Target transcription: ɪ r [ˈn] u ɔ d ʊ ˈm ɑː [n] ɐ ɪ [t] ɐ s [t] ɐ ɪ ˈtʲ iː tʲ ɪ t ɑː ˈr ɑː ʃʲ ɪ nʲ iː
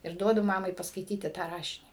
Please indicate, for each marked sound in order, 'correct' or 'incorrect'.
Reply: incorrect, incorrect, incorrect, incorrect

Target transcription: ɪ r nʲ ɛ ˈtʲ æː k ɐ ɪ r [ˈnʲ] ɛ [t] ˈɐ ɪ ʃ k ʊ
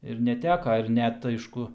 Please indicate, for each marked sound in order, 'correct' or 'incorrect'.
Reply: correct, correct

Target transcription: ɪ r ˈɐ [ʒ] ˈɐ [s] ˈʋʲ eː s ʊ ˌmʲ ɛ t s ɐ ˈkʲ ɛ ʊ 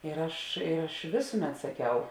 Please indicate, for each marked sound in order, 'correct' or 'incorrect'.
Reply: incorrect, incorrect

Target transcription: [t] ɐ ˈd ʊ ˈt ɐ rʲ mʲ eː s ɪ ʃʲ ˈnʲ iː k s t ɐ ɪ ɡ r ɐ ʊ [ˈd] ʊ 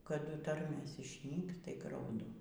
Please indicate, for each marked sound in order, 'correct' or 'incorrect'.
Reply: incorrect, correct

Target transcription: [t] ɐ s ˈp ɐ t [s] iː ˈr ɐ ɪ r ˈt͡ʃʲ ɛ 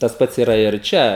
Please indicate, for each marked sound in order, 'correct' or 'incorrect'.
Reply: correct, correct

